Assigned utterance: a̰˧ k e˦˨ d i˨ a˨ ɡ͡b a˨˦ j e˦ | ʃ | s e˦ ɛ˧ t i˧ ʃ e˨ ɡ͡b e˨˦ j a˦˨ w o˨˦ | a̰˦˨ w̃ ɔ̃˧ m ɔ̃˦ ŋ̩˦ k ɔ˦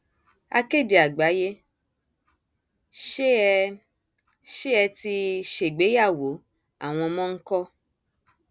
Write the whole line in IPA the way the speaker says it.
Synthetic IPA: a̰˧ k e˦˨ d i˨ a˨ ɡ͡b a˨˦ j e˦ | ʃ | ʃ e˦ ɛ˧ t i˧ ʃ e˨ ɡ͡b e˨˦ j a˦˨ w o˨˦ | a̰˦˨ w̃ ɔ̃˧ m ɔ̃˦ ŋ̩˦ k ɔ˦